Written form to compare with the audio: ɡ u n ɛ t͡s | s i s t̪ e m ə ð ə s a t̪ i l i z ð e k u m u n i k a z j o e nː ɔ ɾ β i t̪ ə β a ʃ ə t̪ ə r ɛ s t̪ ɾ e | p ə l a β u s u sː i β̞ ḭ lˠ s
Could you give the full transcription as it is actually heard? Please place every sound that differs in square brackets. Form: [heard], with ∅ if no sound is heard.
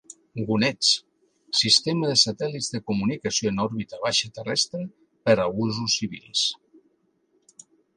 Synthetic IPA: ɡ u n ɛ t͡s | s i s t̪ e m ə ð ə s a t̪ [ɛ] l i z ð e k u m u n i k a [s] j o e [n] ɔ ɾ β i t̪ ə β a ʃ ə t̪ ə r ɛ s t̪ ɾ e | p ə [ɾ] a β u [z] u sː i β̞ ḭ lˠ s